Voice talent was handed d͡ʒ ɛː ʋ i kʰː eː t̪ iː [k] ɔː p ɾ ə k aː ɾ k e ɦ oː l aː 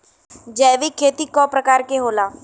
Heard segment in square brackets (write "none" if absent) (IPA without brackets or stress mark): k